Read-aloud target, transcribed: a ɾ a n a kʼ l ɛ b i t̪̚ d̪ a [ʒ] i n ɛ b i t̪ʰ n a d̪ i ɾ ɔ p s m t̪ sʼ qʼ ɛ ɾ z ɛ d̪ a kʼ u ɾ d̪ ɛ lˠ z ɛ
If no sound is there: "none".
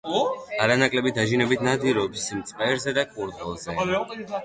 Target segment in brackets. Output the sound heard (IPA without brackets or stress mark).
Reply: ʒ